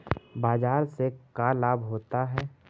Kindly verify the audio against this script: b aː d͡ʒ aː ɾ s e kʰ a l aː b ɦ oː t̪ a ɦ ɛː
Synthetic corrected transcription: b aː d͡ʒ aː ɾ s e k a l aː b ɦ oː t̪ a ɦ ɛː

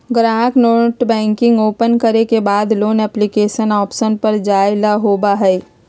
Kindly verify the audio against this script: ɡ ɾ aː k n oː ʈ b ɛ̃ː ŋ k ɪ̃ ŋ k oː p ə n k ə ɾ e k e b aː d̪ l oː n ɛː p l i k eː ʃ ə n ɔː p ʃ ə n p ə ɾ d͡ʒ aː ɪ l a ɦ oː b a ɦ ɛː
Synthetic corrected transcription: ɡ ɾ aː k n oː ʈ b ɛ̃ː ŋ k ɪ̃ ŋ ɡ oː p ə n k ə ɾ e k e b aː d̪ l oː n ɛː p l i k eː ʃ ə n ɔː p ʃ ə n p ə ɾ d͡ʒ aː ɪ l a ɦ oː b a ɦ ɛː

